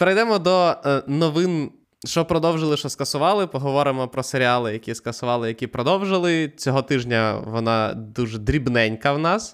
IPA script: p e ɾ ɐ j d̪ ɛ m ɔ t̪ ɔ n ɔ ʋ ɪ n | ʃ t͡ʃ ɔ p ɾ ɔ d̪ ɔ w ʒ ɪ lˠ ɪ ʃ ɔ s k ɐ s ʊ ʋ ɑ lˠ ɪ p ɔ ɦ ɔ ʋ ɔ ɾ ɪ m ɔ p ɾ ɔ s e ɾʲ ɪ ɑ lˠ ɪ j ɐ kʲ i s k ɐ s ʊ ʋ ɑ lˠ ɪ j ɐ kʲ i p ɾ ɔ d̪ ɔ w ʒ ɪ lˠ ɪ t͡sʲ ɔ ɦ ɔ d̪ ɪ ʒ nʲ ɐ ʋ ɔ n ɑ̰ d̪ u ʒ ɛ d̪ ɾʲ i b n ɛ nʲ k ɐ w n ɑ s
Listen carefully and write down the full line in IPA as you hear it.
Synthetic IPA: p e ɾ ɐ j d̪ ɛ m ɔ d̪ ɔ n ɔ ʋ ɪ n | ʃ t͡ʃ ɔ p ɾ ɔ d̪ ɔ w ʒ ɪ lˠ ɪ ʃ ɔ s k ɐ s ʊ ʋ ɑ lˠ ɪ p ɔ ɦ ɔ ʋ ɔ ɾ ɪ m ɔ p ɾ ɔ s e ɾʲ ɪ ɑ lˠ ɪ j ɐ kʲ i s k ɐ s ʊ ʋ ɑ lˠ ɪ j ɐ kʲ i p ɾ ɔ d̪ ɔ w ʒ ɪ lˠ ɪ t͡sʲ ɔ ɦ ɔ t̪ ɪ ʒ nʲ ɐ ʋ ɔ n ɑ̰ d̪ u ʒ ɛ d̪ ɾʲ i b n ɛ nʲ k ɐ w n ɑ s